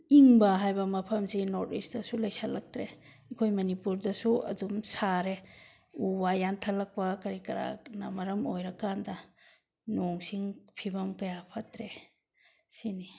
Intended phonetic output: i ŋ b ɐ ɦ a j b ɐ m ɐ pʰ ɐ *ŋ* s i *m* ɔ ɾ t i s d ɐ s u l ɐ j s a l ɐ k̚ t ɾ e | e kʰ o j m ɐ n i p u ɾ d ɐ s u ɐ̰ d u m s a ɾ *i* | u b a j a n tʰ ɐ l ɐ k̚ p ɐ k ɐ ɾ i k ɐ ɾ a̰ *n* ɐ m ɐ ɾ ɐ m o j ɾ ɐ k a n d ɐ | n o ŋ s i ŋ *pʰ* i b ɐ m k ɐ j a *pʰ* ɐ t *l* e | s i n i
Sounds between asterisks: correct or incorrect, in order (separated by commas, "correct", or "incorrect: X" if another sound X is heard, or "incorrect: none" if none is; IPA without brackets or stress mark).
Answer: incorrect: m, incorrect: n, incorrect: e, correct, correct, correct, incorrect: ɾ